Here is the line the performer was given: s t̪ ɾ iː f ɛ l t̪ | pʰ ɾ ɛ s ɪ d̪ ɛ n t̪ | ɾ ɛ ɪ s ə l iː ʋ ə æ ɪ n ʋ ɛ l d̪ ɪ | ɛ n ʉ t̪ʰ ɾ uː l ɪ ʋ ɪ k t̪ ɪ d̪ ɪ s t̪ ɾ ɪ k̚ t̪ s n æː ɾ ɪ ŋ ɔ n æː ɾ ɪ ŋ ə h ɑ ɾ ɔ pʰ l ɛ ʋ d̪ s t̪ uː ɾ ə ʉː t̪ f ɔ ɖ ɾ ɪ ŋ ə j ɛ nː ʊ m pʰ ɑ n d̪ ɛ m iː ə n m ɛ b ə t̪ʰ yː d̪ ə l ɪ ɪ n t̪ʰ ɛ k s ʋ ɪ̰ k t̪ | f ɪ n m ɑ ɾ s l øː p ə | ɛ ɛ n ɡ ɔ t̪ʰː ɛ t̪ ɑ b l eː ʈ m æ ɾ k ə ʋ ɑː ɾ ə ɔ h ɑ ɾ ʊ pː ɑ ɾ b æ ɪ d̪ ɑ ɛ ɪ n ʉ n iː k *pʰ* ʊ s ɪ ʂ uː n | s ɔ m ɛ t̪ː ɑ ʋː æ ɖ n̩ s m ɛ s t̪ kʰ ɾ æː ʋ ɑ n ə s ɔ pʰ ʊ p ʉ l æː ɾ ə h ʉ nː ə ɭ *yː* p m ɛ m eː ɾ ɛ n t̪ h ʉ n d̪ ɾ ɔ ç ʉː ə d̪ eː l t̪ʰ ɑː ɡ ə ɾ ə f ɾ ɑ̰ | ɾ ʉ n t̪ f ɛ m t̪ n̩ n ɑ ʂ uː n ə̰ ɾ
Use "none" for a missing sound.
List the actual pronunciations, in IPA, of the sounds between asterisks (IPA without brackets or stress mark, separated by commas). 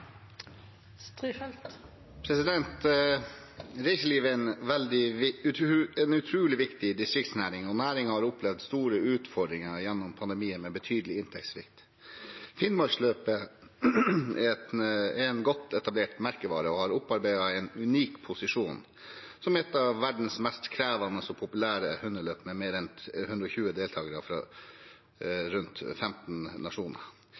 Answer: pʰ, øː